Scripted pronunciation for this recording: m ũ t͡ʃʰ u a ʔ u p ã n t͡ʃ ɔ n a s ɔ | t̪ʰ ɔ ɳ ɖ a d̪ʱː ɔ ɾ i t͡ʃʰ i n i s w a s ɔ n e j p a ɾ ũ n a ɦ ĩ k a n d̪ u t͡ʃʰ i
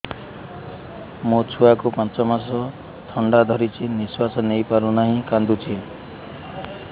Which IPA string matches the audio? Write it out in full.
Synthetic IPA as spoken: m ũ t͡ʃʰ u a k u p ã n t͡ʃ ɔ m a s ɔ | t̪ʰ ɔ ɳ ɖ a d̪ʱ ɔ ɾ i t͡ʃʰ i n i s w a s ɔ n e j p a ɾ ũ n a ɦ ĩ k a n d̪ u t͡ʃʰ i

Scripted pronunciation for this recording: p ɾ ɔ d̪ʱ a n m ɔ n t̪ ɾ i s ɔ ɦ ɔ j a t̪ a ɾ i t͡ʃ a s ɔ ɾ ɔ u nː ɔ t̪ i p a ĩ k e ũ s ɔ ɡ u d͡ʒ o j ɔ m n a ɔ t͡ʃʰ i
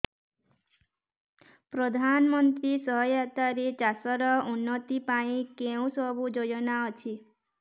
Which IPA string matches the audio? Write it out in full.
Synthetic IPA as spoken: p ɾ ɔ d̪ʱ a n m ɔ n t̪ ɾ i s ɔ ɦ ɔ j a t̪ a ɾ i t͡ʃ a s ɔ ɾ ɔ u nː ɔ t̪ i p a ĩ k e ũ s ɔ b u d͡ʒ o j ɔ n a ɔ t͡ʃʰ i

